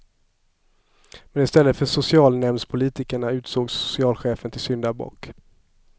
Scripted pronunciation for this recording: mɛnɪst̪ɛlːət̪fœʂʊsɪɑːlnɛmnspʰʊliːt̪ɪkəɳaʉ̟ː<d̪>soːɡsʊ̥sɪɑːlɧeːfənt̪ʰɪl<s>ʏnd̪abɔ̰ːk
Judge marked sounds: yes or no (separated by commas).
no, yes